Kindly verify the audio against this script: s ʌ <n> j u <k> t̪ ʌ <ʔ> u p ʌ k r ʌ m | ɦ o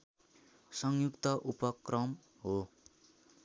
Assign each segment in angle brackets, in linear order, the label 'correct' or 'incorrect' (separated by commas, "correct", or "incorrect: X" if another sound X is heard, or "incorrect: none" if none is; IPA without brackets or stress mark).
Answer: incorrect: ŋ, correct, correct